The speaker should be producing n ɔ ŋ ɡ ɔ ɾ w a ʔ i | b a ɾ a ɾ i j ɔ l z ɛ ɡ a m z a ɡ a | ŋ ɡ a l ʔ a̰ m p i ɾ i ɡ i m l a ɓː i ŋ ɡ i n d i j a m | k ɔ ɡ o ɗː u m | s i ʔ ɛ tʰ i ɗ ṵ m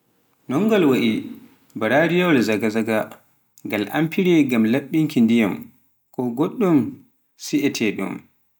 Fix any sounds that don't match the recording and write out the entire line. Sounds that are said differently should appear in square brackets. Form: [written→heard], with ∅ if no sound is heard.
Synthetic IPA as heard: n ɔ ŋ ɡ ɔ [ɾ→l] w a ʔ i | b a ɾ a ɾ i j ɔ l z [ɛ→a] ɡ a [m→∅] z a ɡ a | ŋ ɡ a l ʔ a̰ m p i ɾ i ɡ [i→a] m l a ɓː i ŋ [ɡ→k] i n d i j a m | k ɔ ɡ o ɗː u m | s i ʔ ɛ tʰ [i→ɛ] ɗ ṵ m